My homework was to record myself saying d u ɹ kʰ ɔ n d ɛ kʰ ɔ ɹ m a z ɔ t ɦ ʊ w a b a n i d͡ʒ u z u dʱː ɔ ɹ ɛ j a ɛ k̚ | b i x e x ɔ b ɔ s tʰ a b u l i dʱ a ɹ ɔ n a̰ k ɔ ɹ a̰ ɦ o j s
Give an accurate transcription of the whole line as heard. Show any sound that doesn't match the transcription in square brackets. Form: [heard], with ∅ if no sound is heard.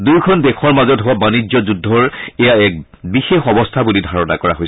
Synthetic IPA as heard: d u ɹ kʰ ɔ n d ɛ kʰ ɔ ɹ m a z ɔ t ɦ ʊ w a b a n i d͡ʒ [ɔ] z u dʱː ɔ ɹ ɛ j a ɛ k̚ | b i x e x ɔ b ɔ s tʰ a b u l i dʱ a ɹ ɔ n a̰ k ɔ ɹ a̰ ɦ o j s